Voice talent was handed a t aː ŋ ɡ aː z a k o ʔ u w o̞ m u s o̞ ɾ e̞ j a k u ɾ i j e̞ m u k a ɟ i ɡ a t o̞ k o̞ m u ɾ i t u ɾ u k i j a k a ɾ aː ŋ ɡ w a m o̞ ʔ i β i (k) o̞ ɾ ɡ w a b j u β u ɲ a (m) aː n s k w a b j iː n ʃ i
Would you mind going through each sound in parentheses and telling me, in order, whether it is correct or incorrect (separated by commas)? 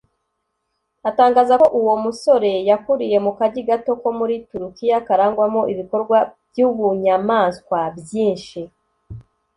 correct, correct